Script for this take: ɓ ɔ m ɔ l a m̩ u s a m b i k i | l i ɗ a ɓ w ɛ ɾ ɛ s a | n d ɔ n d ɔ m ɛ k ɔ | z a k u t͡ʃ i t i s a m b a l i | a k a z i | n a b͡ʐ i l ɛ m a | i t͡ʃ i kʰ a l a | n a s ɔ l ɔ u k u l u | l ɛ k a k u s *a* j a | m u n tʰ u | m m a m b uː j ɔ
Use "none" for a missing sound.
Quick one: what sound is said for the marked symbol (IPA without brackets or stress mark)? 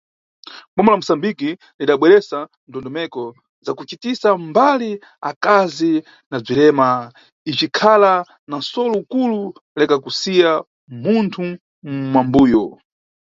i